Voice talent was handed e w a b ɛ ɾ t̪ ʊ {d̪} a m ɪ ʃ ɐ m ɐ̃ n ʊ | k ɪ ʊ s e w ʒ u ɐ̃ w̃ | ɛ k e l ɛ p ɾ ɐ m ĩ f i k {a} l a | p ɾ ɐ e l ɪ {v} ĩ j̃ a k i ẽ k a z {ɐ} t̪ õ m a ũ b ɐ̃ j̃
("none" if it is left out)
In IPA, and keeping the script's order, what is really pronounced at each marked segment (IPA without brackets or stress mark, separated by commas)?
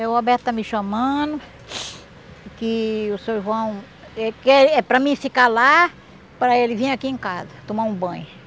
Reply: t̪, a, v, ɐ